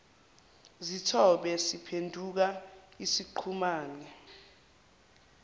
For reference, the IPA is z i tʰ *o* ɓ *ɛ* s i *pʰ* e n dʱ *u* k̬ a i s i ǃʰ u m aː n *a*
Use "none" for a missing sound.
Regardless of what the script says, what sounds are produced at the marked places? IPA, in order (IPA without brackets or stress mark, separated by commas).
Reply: ɔ, ɛ, pʰ, u, ɛ